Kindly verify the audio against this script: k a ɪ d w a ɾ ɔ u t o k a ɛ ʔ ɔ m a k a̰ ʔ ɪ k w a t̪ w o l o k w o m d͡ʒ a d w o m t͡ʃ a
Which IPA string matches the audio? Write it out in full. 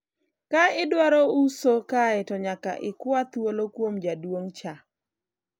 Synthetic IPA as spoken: k a ɪ d w a ɾ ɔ u s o k a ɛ t ɔ ɲ a k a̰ ʔ ɪ k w a t̪ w o l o k w o m d͡ʒ a d w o ŋ t͡ʃ a